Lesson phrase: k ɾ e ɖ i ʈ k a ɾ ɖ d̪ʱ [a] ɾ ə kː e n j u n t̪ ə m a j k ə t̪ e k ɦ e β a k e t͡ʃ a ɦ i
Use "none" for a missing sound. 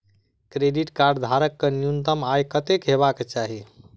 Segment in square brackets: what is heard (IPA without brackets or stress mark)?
a